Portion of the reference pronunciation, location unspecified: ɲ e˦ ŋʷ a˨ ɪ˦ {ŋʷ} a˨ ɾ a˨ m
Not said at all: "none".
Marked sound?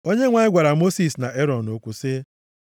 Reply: ɡʷ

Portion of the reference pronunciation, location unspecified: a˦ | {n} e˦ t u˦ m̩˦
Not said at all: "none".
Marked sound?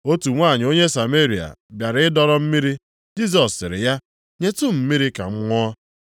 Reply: ɲ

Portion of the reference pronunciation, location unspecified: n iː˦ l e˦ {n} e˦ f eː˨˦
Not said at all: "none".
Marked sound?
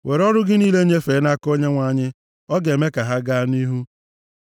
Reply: ɲ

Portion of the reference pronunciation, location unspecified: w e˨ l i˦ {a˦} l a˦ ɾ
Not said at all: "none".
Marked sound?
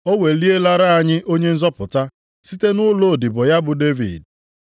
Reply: e˦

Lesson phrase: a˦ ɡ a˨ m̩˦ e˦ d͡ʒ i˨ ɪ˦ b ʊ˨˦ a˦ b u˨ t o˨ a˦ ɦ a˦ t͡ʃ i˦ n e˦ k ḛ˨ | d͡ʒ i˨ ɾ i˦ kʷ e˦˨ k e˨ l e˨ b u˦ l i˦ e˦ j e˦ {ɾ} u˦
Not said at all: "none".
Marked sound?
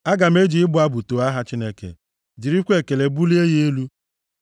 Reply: l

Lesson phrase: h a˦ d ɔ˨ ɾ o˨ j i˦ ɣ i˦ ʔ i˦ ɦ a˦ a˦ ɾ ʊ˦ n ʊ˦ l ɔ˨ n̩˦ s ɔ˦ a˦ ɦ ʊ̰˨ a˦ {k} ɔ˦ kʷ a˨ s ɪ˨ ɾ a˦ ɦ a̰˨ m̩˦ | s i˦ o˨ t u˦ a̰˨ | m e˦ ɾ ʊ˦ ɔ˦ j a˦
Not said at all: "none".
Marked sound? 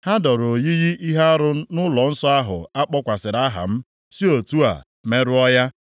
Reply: k͡p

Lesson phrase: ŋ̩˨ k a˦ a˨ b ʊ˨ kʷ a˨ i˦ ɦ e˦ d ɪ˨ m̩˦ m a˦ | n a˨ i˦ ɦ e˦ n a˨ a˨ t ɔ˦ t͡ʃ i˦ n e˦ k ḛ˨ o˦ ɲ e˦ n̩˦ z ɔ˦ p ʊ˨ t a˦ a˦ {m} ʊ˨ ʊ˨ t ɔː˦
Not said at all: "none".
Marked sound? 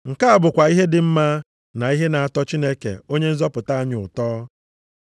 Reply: ɲ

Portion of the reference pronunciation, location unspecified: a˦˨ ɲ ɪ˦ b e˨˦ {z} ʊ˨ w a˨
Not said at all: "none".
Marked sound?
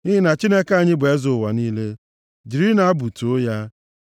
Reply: z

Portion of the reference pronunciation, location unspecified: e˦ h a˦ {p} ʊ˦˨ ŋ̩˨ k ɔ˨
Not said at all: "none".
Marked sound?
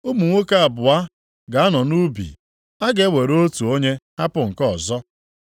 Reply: p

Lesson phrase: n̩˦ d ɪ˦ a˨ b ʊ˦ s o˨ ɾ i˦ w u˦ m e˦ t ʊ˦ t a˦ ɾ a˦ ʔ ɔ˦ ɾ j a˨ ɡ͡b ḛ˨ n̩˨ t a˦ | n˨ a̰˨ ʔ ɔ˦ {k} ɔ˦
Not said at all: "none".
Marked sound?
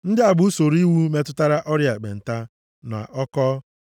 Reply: k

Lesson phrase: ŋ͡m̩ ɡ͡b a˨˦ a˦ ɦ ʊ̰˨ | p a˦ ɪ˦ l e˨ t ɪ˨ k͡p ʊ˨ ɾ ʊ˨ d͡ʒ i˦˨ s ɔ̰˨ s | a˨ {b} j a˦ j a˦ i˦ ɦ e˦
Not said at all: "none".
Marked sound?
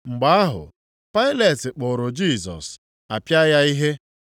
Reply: p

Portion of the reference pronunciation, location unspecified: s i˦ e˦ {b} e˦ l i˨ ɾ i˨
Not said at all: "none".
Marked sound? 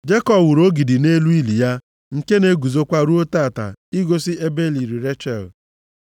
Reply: b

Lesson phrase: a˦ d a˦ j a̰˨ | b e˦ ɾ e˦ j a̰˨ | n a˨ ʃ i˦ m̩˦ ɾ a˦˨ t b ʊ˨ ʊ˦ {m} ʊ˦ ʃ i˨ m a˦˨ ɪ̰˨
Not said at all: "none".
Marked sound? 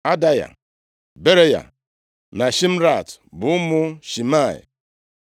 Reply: m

